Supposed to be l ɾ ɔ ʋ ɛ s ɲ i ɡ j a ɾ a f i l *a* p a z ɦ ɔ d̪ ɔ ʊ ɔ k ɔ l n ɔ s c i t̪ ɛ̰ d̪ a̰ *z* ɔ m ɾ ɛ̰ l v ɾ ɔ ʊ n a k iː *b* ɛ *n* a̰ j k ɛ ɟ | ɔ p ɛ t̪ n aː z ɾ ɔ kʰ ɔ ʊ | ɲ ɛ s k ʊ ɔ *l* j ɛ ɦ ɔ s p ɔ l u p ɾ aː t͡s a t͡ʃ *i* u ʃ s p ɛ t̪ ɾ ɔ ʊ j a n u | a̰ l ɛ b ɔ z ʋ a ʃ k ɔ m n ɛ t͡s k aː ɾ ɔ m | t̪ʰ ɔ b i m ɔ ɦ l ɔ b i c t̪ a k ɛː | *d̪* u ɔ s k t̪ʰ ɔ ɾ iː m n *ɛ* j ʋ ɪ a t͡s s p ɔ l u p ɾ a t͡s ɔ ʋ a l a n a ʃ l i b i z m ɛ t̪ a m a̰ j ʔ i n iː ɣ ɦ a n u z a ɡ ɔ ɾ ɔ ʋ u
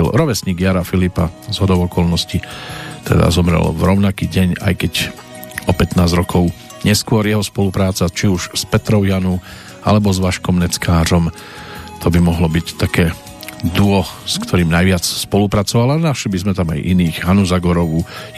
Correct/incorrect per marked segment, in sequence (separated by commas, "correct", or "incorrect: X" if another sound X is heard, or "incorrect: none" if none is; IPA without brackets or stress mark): incorrect: i, correct, incorrect: ɟ, incorrect: ɲ, incorrect: ɾ, correct, correct, incorrect: a